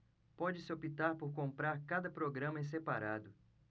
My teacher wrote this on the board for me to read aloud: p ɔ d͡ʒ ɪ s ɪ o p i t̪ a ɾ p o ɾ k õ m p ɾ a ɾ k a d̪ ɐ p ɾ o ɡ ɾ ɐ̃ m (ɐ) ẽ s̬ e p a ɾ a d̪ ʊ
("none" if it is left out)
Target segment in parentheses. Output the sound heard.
ɐ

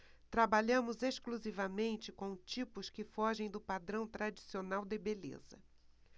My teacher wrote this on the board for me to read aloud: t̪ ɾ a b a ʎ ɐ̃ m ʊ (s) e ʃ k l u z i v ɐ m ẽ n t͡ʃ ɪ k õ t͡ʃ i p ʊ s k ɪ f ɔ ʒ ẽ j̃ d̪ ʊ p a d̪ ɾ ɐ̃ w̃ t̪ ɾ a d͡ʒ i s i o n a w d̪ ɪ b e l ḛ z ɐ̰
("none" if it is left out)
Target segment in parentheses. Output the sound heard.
z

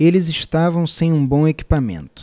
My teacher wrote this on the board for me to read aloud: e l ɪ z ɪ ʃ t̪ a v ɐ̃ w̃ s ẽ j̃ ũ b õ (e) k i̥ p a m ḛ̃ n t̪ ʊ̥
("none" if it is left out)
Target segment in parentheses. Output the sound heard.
e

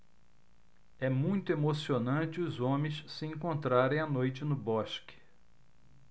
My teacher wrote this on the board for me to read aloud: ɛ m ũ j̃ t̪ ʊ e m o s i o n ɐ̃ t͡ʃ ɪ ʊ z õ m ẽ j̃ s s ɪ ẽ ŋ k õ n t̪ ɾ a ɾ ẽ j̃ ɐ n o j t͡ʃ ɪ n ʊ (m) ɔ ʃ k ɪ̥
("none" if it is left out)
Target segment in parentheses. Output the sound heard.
b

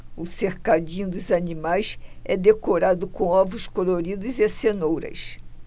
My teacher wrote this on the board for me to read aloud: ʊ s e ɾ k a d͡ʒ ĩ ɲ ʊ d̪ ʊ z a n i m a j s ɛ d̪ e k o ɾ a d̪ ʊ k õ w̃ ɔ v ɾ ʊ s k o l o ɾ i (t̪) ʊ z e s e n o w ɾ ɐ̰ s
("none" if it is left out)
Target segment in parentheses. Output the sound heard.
d̪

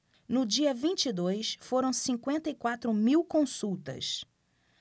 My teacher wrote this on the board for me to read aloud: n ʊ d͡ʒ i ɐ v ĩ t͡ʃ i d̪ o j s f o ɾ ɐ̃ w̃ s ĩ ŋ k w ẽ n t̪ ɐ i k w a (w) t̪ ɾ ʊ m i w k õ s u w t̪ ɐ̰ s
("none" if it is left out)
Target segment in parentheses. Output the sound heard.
none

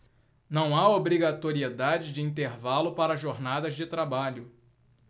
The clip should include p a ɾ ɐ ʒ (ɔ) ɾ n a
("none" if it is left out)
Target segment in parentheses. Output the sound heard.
o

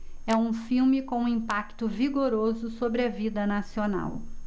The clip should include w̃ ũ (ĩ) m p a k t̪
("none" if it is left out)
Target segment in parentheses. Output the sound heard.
ĩ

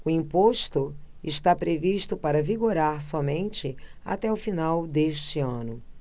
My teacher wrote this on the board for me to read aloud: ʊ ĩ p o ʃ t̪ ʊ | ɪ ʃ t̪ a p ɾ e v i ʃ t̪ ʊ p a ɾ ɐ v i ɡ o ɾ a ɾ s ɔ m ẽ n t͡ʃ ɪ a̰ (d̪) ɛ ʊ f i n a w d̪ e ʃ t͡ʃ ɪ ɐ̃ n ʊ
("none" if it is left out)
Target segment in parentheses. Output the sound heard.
t̪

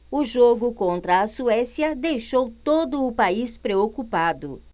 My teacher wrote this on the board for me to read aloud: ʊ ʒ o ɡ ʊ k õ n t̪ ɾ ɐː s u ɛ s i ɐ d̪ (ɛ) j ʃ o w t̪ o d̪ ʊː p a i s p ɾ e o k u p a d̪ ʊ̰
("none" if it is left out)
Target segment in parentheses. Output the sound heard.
e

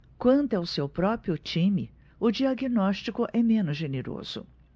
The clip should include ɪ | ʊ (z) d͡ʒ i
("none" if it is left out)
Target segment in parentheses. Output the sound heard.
none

